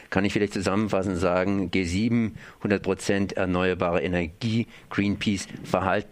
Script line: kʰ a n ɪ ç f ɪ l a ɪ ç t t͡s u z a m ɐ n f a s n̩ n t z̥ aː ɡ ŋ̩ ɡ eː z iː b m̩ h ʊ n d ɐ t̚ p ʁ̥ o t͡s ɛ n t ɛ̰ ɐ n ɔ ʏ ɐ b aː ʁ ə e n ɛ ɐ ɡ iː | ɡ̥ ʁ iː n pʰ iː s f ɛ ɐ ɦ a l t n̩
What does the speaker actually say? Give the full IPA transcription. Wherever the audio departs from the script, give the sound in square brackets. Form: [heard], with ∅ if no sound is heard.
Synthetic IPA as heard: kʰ a n ɪ ç f ɪ l a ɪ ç t t͡s u z a m [ə] n f a s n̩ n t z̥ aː ɡ ŋ̩ ɡ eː z iː b m̩ h ʊ n d ɐ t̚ p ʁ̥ o t͡s ɛ n t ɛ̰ ɐ n ɔ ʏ ɐ b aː ʁ ə e n ɛ ɐ ɡ iː | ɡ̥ ʁ iː n pʰ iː s f ɛ ɐ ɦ a l t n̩